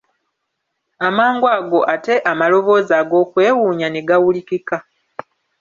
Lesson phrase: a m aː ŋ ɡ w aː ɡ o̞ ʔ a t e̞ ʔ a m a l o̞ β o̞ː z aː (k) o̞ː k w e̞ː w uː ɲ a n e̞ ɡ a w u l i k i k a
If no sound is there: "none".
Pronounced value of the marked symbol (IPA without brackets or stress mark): ɡ